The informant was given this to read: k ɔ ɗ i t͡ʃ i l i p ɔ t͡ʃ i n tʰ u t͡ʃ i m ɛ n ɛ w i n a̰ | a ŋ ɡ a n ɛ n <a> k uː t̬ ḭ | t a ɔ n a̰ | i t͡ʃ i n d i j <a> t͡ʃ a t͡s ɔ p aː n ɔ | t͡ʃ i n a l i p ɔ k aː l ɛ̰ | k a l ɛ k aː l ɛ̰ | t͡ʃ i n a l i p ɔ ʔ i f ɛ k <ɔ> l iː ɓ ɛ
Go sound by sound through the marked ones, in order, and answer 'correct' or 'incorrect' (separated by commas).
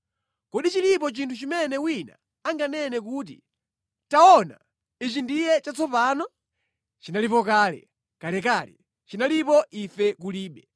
incorrect, incorrect, incorrect